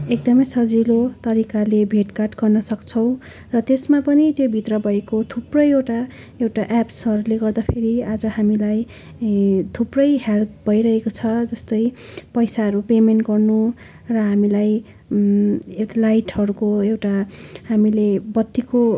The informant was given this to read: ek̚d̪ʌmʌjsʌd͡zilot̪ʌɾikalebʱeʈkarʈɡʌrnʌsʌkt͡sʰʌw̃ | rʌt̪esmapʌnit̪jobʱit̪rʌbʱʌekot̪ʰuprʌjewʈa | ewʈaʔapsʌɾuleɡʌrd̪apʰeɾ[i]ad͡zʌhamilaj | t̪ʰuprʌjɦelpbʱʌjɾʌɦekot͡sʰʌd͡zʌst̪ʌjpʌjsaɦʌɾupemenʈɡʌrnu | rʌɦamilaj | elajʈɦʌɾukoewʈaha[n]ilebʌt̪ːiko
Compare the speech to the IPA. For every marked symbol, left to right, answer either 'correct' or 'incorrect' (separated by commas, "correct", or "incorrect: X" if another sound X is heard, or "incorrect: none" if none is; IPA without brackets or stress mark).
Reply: correct, incorrect: m